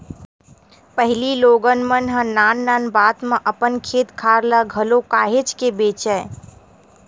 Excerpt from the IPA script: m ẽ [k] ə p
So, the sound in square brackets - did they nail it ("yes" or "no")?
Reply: no